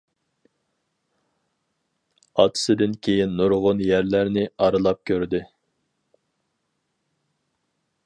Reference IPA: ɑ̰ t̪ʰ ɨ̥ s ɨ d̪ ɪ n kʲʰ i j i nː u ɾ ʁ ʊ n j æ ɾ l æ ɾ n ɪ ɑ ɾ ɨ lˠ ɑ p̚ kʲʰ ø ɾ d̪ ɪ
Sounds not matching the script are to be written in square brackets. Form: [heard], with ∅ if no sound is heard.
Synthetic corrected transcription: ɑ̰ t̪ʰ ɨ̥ s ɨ d̪ ɪ n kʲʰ [e] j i nː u ɾ ʁ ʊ n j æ ɾ l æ ɾ n ɪ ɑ ɾ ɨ lˠ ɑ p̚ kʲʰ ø ɾ d̪ ɪ